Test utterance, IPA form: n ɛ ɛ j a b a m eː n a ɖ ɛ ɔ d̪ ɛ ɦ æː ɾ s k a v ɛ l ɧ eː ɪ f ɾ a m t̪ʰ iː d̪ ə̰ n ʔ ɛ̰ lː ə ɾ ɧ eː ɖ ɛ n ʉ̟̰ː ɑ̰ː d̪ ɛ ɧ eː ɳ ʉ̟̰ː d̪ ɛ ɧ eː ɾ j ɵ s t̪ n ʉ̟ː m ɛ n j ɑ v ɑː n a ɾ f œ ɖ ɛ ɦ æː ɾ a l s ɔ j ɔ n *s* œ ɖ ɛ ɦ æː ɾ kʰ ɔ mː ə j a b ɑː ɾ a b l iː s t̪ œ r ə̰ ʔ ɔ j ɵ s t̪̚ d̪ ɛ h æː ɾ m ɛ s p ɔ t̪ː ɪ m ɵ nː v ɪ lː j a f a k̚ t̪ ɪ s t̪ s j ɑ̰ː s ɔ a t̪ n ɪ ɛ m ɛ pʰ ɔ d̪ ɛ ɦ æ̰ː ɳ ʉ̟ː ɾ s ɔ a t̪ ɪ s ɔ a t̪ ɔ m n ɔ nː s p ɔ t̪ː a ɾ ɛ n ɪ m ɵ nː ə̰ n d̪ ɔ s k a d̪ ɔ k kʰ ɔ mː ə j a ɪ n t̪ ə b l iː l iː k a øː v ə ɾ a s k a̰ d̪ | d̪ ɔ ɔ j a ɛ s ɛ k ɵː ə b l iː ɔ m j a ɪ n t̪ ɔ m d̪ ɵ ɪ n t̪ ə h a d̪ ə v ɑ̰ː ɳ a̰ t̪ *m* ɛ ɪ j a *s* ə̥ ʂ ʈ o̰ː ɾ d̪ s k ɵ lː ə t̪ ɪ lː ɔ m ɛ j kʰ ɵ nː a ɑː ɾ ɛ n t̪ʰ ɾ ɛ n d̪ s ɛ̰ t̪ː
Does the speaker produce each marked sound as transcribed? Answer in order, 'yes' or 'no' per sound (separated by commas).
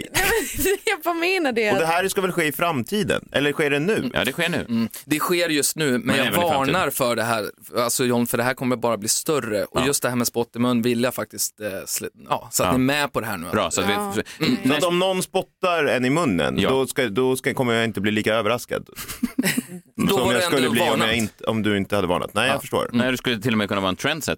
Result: no, no, no